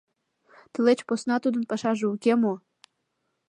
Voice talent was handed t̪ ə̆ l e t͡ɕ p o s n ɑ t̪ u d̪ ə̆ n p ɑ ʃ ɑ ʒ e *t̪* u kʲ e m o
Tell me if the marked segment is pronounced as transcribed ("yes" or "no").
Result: no